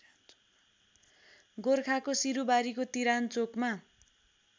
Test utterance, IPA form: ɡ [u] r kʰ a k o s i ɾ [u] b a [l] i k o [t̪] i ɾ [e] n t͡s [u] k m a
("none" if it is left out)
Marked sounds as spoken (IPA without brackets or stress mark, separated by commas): o, u, ɾ, t̪, a, o